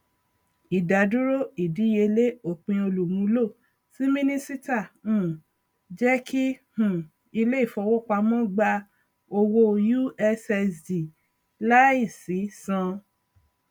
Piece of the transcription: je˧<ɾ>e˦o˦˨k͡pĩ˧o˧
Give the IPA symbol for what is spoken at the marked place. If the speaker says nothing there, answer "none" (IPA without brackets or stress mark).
l